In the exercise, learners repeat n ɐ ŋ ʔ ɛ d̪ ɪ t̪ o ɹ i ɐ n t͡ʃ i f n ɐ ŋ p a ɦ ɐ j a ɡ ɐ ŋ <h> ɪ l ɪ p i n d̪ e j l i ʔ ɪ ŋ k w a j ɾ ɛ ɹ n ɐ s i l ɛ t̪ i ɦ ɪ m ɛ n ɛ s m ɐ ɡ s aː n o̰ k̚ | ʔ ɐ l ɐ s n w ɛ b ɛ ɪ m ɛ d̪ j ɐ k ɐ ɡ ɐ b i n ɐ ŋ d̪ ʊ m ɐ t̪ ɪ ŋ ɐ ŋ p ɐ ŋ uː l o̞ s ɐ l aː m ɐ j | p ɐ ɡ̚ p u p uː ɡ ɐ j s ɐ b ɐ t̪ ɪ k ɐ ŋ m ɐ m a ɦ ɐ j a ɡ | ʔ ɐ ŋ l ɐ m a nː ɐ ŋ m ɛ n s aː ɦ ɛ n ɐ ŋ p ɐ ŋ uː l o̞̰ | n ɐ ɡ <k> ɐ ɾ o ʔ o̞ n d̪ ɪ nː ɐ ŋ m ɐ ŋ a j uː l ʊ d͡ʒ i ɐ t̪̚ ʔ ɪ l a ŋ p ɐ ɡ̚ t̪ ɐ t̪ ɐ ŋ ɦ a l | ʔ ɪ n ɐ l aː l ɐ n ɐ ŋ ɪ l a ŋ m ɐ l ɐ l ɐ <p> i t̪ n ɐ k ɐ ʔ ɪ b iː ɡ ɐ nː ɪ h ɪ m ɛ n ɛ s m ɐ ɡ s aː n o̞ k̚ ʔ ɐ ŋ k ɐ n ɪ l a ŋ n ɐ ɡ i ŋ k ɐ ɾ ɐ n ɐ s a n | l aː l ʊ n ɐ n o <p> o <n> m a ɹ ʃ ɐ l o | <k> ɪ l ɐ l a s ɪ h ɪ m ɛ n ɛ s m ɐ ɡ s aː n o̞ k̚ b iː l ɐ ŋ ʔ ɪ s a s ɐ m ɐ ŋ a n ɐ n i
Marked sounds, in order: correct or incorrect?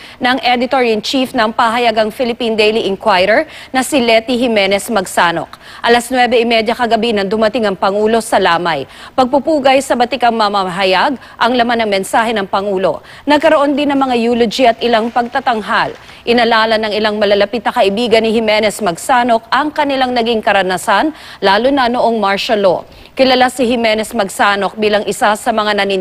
incorrect: f, correct, correct, incorrect: ʔ, incorrect: ŋ, correct

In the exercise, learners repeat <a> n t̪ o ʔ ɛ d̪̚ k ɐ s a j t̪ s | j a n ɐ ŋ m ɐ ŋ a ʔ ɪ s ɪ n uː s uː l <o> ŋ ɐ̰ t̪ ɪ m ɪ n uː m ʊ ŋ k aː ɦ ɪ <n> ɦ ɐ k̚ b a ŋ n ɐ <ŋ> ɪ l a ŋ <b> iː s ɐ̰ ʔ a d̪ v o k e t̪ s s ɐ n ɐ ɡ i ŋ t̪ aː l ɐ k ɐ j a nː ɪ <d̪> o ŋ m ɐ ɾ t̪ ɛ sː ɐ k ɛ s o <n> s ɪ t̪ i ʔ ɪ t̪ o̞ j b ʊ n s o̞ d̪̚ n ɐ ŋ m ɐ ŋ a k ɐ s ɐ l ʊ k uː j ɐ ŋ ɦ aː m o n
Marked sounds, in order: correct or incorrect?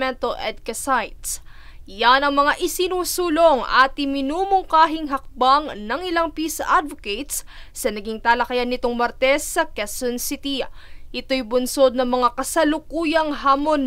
incorrect: ɛ, correct, incorrect: ŋ, correct, incorrect: p, incorrect: t̪, correct

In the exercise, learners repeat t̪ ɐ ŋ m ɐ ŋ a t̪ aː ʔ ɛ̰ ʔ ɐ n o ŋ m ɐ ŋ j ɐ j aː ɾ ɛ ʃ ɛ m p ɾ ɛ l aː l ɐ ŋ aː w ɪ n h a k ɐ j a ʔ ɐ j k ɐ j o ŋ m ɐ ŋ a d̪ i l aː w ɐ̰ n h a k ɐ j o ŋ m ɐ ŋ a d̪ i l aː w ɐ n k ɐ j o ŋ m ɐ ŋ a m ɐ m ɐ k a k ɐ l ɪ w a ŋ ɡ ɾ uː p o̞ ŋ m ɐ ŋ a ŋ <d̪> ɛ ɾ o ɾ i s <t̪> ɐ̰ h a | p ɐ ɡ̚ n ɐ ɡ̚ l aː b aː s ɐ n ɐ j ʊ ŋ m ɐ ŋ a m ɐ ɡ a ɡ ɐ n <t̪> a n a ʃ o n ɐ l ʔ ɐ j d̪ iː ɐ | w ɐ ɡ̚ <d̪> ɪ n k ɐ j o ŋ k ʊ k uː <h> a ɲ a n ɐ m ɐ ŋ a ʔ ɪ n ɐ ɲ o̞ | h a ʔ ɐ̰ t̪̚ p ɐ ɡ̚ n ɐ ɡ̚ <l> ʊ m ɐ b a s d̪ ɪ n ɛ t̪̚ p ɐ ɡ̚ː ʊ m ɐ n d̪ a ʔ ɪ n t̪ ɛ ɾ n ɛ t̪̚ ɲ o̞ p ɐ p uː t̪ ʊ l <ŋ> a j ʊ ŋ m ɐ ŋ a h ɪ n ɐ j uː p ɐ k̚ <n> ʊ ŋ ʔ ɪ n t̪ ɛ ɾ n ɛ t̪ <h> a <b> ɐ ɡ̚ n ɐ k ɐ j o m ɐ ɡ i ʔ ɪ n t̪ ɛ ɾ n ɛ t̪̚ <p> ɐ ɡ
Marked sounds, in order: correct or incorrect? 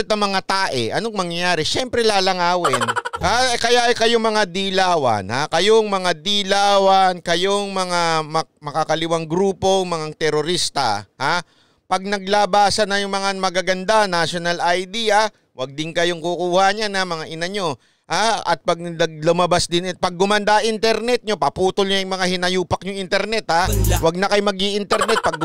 incorrect: t̪, correct, incorrect: d̪, correct, correct, correct, incorrect: ɲ, incorrect: ɲ, correct, incorrect: w, correct

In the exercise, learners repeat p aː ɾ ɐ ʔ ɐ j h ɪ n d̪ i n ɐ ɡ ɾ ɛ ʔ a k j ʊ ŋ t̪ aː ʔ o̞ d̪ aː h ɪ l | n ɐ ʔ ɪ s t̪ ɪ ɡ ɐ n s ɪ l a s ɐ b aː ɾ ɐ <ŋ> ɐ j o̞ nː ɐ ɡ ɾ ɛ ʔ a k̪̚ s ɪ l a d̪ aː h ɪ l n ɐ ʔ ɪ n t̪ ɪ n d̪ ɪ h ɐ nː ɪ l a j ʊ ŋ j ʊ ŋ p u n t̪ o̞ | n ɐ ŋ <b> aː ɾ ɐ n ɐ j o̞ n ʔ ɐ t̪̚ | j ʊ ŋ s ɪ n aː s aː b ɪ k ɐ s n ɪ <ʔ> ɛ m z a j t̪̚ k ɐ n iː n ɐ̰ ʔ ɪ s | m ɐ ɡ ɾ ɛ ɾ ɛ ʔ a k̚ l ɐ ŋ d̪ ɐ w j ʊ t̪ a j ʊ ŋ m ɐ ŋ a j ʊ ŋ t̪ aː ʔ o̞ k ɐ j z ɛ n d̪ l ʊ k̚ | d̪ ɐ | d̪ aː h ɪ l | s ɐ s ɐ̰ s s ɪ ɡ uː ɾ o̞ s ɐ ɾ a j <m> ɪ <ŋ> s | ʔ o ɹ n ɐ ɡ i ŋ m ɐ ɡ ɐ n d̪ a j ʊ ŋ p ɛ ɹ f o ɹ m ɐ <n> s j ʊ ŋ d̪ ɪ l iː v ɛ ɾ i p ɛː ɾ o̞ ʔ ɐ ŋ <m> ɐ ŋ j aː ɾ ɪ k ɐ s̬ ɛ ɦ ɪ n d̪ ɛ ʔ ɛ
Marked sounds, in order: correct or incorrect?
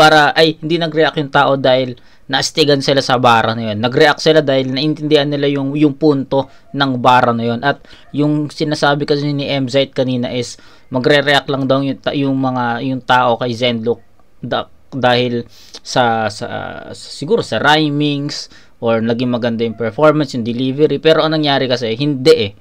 incorrect: n, correct, correct, correct, correct, correct, incorrect: n

